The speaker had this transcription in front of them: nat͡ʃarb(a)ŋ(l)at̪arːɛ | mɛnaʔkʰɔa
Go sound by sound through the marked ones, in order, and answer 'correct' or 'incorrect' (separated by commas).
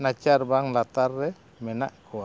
correct, correct